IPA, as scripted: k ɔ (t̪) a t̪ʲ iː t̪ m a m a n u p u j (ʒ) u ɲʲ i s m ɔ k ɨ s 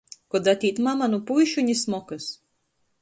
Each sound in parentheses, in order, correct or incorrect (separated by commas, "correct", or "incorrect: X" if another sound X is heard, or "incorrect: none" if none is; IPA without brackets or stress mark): incorrect: d̪, incorrect: ʃ